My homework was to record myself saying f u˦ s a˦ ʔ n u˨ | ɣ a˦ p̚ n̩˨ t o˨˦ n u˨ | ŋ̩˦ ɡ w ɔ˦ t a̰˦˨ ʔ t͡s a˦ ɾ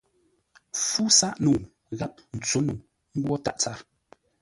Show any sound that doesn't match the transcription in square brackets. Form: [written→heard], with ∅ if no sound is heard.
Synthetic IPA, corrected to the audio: f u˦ s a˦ ʔ n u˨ | ɣ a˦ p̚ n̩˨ [t→t͡s] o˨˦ n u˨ | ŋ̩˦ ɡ w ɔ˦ t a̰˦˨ ʔ t͡s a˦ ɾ